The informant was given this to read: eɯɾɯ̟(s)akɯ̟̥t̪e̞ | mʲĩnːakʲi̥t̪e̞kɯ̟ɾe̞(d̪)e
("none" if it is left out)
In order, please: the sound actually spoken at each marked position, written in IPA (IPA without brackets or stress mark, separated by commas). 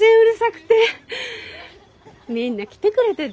s, t̪